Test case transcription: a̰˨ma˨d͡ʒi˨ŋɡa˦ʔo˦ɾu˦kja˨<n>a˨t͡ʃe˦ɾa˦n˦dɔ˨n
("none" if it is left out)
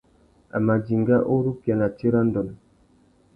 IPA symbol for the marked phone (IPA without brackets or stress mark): n